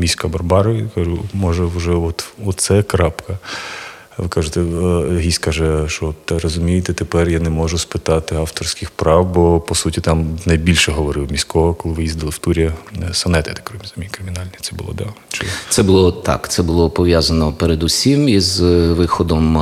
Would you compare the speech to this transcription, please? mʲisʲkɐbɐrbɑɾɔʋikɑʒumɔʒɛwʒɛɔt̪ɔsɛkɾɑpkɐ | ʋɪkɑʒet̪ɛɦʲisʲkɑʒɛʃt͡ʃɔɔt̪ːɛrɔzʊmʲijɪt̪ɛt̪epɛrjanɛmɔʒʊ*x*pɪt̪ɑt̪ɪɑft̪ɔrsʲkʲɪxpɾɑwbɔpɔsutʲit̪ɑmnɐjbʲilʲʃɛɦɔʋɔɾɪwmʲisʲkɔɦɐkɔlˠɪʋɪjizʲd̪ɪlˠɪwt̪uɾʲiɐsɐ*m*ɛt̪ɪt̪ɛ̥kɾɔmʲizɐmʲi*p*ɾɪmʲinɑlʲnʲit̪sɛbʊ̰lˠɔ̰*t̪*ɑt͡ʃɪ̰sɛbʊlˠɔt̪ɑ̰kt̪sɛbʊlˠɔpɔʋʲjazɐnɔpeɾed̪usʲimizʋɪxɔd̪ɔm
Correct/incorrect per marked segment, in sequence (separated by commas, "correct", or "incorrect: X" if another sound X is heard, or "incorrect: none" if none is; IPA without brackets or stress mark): incorrect: s, incorrect: n, incorrect: k, incorrect: d̪